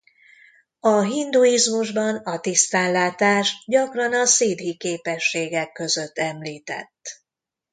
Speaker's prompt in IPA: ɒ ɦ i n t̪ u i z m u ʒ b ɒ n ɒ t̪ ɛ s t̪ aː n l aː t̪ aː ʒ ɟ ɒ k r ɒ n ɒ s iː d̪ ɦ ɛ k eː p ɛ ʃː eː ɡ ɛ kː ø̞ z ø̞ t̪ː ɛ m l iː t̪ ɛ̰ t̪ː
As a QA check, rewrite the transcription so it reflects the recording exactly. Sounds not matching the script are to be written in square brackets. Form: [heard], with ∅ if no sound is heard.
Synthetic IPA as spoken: ɒ ɦ i n [d̪] u i z m u ʒ b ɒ n ɒ t̪ [i] s t̪ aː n l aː t̪ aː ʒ ɟ ɒ k r ɒ n ɒ s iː d̪ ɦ [i] k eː p ɛ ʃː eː ɡ ɛ kː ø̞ z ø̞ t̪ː ɛ m l iː t̪ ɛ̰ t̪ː